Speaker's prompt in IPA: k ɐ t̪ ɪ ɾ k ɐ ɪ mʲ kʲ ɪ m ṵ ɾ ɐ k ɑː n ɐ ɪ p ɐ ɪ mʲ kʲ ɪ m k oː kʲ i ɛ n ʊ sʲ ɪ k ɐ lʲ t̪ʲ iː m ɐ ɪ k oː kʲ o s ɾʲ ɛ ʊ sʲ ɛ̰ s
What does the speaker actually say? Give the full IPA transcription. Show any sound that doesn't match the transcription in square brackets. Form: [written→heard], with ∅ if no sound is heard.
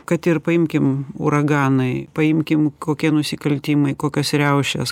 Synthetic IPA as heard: k ɐ t̪ ɪ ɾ [k→p] ɐ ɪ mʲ kʲ ɪ m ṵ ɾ ɐ [k→ɡ] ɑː n ɐ ɪ p ɐ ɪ mʲ kʲ ɪ m k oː kʲ i ɛ n ʊ sʲ ɪ k ɐ lʲ t̪ʲ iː m ɐ ɪ k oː kʲ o s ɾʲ ɛ ʊ [sʲ→ʃʲ] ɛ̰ s